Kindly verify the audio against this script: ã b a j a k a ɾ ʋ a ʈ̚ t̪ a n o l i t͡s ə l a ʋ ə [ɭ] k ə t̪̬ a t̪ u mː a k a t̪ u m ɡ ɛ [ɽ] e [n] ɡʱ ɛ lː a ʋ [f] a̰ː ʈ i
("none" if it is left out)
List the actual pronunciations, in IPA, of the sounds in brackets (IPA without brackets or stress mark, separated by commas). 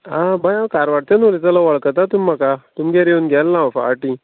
ɭ, ɾ, n, f